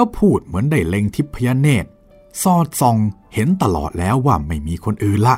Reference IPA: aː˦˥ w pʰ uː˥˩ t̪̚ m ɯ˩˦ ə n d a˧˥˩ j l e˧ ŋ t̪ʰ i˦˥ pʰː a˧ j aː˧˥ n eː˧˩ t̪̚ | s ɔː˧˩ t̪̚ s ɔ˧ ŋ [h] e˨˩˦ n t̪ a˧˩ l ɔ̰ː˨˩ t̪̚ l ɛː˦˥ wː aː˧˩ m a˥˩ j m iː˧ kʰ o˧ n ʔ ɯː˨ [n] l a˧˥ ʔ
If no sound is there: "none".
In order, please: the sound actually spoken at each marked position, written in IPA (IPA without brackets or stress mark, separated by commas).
h, n